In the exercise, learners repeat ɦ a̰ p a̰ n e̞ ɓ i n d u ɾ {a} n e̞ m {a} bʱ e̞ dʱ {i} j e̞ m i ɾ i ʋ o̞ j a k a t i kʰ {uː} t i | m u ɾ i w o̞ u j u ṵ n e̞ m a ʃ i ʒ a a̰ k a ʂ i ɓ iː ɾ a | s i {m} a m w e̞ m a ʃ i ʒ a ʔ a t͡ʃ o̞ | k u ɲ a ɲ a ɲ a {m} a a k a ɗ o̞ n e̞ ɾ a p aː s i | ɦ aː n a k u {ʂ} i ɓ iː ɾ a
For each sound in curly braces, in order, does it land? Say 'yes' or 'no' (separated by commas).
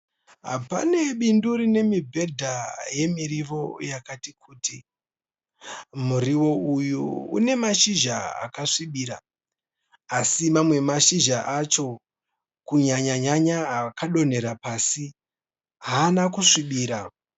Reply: no, no, no, yes, yes, no, yes